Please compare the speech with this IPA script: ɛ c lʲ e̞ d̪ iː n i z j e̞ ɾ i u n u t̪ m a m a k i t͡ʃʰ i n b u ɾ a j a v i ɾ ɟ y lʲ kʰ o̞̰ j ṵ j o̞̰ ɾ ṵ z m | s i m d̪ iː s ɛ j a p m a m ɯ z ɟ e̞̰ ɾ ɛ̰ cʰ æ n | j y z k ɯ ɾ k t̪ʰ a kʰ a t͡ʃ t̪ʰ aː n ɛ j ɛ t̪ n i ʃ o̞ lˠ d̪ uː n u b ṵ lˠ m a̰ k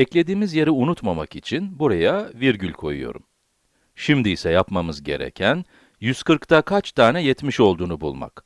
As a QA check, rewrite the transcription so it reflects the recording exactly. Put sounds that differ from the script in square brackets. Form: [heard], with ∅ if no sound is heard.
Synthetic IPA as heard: ɛ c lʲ e̞ d̪ iː [m] i z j e̞ ɾ i u n u t̪ m a m a k i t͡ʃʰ i n b u ɾ a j a v i ɾ ɟ y lʲ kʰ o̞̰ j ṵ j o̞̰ ɾ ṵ [∅] m | [ʃ] i m d̪ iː s ɛ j a p m a m ɯ z ɟ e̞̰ ɾ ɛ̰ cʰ æ n | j y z k ɯ ɾ k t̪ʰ a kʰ a t͡ʃ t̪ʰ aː n ɛ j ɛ t̪ [m] i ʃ o̞ lˠ d̪ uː n u b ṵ lˠ m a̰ k